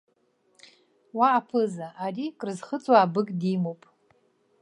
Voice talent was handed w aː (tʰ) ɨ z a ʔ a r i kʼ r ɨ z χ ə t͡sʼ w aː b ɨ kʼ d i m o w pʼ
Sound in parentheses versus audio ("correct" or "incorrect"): incorrect